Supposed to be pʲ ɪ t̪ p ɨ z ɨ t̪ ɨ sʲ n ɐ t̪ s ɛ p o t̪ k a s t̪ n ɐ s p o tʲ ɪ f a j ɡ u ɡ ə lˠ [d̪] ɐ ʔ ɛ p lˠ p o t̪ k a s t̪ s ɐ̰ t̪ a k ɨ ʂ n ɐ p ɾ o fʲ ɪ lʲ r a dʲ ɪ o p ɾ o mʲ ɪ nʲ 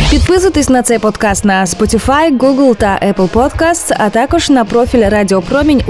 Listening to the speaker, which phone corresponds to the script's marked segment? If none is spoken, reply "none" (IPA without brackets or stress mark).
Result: t̪